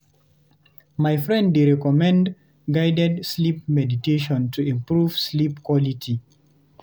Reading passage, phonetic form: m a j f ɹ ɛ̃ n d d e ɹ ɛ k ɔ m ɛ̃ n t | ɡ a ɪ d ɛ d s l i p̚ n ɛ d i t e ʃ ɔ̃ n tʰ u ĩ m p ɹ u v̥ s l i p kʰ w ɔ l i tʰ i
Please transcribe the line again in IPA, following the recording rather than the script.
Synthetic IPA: m a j f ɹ ɛ̃ n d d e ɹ ɛ k ɔ m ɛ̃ n d | ɡ a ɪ d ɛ d s l i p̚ m ɛ d i t e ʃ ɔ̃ n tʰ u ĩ m p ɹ u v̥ s l i p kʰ w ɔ l i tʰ i